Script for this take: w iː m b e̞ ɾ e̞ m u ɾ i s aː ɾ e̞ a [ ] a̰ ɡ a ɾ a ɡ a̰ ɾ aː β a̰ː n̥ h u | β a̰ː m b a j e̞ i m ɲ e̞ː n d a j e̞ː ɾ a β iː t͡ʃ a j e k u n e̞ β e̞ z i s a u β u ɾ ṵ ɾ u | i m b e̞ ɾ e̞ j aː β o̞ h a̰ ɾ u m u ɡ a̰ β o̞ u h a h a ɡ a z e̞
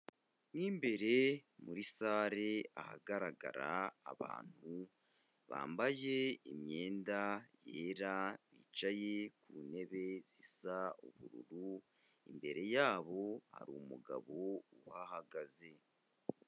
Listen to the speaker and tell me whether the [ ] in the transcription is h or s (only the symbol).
h